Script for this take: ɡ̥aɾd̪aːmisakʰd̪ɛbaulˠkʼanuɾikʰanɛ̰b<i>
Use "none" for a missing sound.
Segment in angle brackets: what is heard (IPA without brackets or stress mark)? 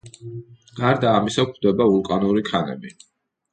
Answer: i